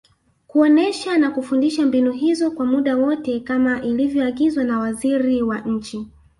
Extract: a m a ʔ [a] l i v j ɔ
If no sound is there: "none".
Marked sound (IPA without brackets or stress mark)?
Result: i